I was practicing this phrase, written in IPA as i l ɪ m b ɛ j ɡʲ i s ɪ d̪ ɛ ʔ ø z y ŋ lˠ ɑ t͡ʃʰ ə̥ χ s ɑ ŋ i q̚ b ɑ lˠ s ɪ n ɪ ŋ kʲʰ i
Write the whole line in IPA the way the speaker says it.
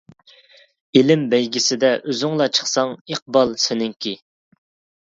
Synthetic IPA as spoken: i l ɪ m b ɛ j ɡʲ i s ɪ d̪ ɛ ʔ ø z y ŋ lˠ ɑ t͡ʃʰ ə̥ χ s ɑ ŋ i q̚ b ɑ lˠ s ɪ n ɪ ŋ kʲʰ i

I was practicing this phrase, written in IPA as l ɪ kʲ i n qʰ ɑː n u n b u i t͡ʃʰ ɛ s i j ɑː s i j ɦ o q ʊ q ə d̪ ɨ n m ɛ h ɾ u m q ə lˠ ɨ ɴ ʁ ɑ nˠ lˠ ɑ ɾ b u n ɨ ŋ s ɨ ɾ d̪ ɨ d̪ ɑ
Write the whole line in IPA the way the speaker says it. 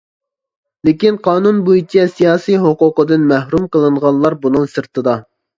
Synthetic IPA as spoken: l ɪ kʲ i n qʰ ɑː n u n b u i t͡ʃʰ ɛ s i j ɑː s i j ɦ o q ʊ q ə d̪ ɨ n m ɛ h ɾ u m q ə lˠ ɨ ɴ ʁ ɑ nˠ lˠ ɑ ɾ b u n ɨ ŋ s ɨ ɾ t̪ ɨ d̪ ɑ

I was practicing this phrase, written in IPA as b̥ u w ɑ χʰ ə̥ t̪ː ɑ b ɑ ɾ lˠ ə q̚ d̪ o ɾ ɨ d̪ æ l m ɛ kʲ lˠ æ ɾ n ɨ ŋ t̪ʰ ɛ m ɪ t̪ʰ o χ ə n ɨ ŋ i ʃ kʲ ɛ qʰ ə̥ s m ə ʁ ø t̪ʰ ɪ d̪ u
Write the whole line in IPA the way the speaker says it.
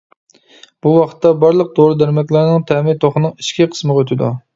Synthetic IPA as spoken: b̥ u w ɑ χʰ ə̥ t̪ː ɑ b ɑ ɾ lˠ ə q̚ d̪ o ɾ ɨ d̪ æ ɾ m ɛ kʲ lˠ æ ɾ n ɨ ŋ t̪ʰ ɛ m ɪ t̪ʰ o χ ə n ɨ ŋ i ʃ kʲ i qʰ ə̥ s m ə ʁ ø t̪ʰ ɪ d̪ u

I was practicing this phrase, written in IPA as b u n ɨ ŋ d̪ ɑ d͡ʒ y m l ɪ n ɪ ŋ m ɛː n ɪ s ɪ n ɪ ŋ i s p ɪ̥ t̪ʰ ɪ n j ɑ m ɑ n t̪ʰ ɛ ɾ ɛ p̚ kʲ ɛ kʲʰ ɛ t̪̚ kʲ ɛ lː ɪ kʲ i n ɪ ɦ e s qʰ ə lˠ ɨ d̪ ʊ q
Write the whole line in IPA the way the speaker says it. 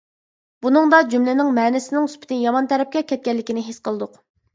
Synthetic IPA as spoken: b u n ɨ ŋ d̪ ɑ d͡ʒ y m l ɪ n ɪ ŋ m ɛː n ɪ s ɪ n ɪ ŋ y s p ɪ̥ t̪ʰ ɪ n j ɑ m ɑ n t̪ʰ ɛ ɾ ɛ p̚ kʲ ɛ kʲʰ ɛ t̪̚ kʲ ɛ lː ɪ kʲ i n ɪ ɦ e s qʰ ə lˠ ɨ d̪ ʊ q

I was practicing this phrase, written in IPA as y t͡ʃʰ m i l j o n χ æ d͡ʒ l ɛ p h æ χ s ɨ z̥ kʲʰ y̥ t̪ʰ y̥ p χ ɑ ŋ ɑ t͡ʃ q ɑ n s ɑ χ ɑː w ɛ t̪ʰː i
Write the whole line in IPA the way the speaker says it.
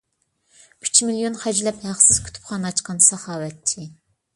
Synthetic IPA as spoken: y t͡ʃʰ m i l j o n χ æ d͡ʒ l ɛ p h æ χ s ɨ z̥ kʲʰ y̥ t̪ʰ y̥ p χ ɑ n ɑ t͡ʃ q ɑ n s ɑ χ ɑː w ɛ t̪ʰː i

